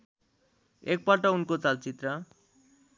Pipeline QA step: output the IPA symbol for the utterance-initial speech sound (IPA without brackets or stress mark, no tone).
e